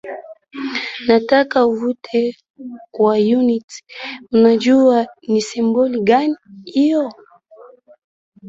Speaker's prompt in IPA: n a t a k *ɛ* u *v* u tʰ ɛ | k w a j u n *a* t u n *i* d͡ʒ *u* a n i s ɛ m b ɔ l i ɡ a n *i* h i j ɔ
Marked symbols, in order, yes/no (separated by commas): no, yes, no, no, yes, yes